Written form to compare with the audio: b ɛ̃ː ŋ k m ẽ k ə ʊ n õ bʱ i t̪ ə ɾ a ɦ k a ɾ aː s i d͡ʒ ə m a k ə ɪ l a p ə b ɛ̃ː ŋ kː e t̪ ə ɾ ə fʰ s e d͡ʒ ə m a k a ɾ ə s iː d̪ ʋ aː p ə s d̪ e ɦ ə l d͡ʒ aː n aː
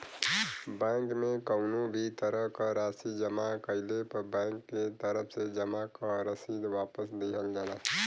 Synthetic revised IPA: b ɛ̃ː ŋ k m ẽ k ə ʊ n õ bʱ i t̪ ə ɾ ə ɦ k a ɾ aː s i d͡ʒ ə m a k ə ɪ l e p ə b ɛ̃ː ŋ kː e t̪ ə ɾ ə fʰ s e d͡ʒ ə m a k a ɾ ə s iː d̪ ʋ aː p ə s d̪ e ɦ ə l d͡ʒ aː n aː